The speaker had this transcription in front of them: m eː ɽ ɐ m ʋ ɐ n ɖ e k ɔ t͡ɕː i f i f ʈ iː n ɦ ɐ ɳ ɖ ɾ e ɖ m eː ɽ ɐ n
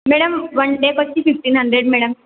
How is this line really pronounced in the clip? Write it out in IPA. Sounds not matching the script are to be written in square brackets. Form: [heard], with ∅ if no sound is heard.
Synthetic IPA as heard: m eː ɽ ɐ m ʋ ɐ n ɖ e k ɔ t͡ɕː i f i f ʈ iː n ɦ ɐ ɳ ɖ ɾ e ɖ m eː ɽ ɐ [m]

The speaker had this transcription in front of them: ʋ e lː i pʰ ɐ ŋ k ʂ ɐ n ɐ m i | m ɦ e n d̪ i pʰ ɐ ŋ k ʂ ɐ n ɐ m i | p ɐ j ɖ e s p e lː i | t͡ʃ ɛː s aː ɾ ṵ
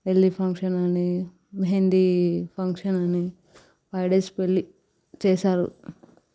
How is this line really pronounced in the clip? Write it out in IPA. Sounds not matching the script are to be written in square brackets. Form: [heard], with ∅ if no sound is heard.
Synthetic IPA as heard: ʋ e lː i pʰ ɐ ŋ k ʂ ɐ n ɐ [n] i | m ɦ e n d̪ i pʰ ɐ ŋ k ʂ ɐ n ɐ [n] i | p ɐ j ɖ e s p e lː i | t͡ʃ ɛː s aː ɾ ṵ

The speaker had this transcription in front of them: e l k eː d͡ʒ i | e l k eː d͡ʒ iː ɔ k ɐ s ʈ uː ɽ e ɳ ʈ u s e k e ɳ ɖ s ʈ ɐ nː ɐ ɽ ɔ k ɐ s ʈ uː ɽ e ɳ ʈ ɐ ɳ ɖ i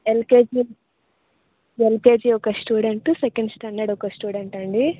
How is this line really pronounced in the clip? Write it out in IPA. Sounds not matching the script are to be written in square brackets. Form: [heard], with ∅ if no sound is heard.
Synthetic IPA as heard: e l k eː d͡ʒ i | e l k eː d͡ʒ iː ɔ k ɐ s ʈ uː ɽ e ɳ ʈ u s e k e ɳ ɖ s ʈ ɐ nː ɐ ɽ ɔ k ɐ s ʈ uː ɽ e ɳ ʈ ɐ ɳ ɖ i

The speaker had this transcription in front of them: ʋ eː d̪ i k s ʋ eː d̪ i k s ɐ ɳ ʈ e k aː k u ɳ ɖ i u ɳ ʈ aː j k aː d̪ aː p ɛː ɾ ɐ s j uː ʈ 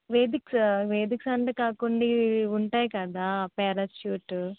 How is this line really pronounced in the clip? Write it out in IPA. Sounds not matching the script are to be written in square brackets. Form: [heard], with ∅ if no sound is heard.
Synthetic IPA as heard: ʋ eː d̪ i k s ʋ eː d̪ i k s ɐ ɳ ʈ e k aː k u ɳ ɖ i u ɳ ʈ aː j k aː d̪ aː p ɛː ɾ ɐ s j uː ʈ

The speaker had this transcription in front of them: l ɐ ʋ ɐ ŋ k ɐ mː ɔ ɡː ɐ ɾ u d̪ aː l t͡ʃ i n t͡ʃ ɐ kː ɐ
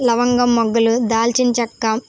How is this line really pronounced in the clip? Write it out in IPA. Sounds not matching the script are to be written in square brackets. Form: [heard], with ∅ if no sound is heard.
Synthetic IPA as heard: l ɐ ʋ ɐ ŋ [ɡ] ɐ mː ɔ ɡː ɐ [l] u d̪ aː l t͡ʃ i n t͡ʃ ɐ kː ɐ

